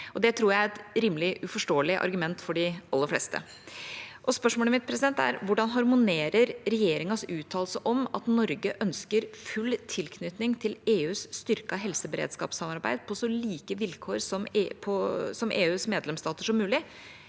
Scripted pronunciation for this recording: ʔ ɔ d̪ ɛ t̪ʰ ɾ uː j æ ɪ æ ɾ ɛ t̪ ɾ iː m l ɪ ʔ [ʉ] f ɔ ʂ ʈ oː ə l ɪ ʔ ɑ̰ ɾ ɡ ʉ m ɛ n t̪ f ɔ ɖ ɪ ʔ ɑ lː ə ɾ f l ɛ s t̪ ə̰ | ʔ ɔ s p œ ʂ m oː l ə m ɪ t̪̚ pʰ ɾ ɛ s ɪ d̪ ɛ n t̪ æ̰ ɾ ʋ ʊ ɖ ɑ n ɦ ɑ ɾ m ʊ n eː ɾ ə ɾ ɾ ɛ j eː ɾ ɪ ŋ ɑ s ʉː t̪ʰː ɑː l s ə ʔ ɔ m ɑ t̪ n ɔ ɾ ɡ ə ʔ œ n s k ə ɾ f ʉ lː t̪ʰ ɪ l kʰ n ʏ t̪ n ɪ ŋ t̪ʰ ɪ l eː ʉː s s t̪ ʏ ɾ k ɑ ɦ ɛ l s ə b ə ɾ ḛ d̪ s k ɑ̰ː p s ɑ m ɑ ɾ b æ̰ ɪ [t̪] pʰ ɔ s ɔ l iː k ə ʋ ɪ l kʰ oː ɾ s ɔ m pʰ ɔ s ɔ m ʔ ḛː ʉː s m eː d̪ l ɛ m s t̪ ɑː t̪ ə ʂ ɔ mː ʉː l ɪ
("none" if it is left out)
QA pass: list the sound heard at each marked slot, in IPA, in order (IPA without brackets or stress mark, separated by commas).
ʉ, d̪